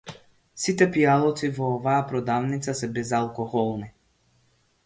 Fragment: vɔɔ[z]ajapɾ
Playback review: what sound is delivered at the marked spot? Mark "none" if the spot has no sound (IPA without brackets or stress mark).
v